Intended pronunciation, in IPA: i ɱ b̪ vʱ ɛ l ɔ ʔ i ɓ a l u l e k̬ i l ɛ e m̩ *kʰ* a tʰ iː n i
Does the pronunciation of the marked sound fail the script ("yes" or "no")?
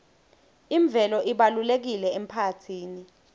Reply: yes